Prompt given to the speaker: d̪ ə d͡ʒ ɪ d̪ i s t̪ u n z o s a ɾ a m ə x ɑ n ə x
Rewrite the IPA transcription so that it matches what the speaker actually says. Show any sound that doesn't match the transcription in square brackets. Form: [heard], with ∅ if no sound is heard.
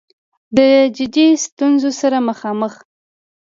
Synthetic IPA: d̪ ə d͡ʒ ɪ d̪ i s t̪ u n z o s a ɾ a m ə x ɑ [m] ə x